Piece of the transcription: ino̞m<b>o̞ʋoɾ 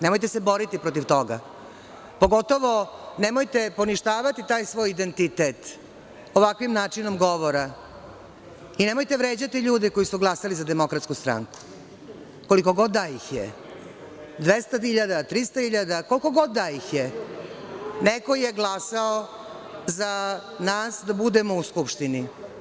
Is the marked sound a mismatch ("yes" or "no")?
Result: yes